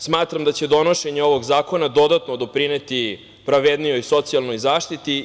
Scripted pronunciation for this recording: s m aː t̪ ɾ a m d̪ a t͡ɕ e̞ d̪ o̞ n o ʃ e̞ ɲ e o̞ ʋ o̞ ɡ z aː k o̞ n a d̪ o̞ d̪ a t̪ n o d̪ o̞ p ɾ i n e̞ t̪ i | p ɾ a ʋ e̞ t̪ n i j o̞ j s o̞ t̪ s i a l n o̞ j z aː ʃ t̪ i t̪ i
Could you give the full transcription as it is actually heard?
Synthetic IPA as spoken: s m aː t̪ ɾ a m d̪ a t͡ɕ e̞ d̪ o̞ n o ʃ e̞ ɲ e o̞ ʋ o̞ ɡ z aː k o̞ n a d̪ o̞ d̪ a t̪ n o d̪ o̞ p ɾ i n e̞ t̪ i | p ɾ a ʋ e̞ d̪ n i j o̞ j s o̞ t̪ s i a l n o̞ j z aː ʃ t̪ i t̪ i

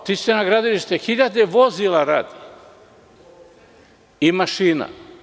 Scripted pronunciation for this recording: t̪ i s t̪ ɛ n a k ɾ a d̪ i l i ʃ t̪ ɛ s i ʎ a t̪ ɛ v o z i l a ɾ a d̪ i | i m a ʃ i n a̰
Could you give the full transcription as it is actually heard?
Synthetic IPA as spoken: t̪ i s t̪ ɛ n a ɡ ɾ a d̪ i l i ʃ t̪ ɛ x i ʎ a d̪ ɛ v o z i l a ɾ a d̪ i | i m a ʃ i n a̰

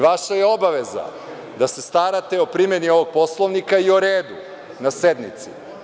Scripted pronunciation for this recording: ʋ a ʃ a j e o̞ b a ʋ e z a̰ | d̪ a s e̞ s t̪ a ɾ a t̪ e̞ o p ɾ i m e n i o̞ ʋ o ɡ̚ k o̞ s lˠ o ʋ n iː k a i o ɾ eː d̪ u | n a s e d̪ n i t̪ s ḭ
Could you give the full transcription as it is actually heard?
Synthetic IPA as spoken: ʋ a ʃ a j e o̞ b a ʋ e z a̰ | d̪ a s e̞ s t̪ a ɾ a t̪ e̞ o p ɾ i m e n i o̞ ʋ o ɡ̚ p o̞ s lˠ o ʋ n i k a i o ɾ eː d̪ u | n a s e d̪ n i t̪ s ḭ

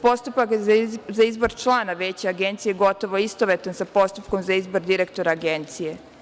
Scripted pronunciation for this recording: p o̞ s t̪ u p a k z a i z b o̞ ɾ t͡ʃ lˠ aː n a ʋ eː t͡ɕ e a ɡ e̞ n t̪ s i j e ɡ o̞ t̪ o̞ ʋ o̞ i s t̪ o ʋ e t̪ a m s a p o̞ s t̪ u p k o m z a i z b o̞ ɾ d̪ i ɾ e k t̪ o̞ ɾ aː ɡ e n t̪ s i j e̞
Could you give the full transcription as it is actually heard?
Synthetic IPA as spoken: p o̞ s t̪ u p a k z a i z b o̞ ɾ t͡ʃ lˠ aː n a ʋ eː t͡ɕ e a ɡ e̞ n t̪ s i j e ɡ o̞ t̪ o̞ ʋ o̞ i s t̪ o ʋ e t̪ a n s a p o̞ s t̪ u p k o m z a i z b o̞ ɾ d̪ i ɾ e k t̪ o̞ ɾ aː ɡ e n t̪ s i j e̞

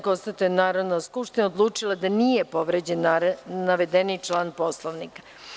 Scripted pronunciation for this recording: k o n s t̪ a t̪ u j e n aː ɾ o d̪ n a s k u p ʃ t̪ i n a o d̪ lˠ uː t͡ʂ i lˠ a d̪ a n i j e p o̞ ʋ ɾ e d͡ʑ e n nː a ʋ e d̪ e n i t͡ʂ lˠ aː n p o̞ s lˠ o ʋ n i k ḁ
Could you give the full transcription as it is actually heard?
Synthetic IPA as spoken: k o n s t̪ a t̪ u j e n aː ɾ o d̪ n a s k u p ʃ t̪ i n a o d̪ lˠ uː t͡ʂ i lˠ a d̪ a n i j e p o̞ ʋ ɾ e d͡ʑ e n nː a ʋ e d̪ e n i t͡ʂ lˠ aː n p o̞ s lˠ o ʋ n i k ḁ

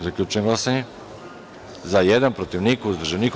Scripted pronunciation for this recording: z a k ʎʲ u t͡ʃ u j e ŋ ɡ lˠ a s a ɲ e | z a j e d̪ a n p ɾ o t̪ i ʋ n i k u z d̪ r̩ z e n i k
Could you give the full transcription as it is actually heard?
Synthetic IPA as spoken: z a k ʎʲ u t͡ʃ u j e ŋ ɡ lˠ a s a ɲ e | z a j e d̪ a n p ɾ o t̪ i ʋ n i k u z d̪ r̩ ʒ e n i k

